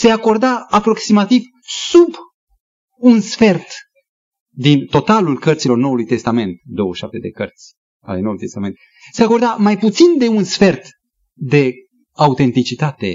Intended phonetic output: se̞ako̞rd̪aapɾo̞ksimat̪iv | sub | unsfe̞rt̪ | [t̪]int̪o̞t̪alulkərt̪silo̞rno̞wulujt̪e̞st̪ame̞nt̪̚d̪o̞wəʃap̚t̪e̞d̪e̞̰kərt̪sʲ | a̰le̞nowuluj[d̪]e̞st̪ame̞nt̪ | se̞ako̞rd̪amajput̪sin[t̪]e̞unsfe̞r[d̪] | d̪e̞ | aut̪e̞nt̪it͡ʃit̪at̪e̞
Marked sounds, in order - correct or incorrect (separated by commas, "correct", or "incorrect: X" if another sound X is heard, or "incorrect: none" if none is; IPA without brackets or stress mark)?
incorrect: d̪, incorrect: t̪, incorrect: d̪, incorrect: t̪